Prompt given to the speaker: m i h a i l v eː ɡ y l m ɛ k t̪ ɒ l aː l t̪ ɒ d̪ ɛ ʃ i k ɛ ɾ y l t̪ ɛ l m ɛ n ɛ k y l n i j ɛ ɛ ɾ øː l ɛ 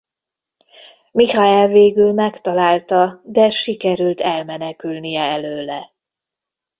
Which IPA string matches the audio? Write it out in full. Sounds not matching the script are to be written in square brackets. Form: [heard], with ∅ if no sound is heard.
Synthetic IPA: m i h a [ɛ] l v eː ɡ y l m ɛ k t̪ ɒ l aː l t̪ ɒ d̪ ɛ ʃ i k ɛ ɾ y l t̪ ɛ l m ɛ n ɛ k y l n i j ɛ ɛ [l] øː l ɛ